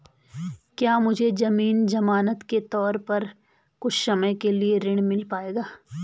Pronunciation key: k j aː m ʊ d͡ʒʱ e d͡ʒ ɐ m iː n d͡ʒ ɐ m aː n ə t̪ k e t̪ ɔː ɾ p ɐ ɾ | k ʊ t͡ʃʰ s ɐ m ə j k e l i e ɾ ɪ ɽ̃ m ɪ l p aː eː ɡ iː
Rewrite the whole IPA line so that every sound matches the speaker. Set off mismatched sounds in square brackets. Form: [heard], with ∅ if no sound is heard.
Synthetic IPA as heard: k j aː m ʊ d͡ʒʱ e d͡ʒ ɐ m iː n d͡ʒ ɐ m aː n ə t̪ k e t̪ ɔː ɾ p ɐ ɾ | k ʊ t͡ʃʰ s ɐ m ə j k e l i e ɾ ɪ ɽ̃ m ɪ l p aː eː ɡ [aː]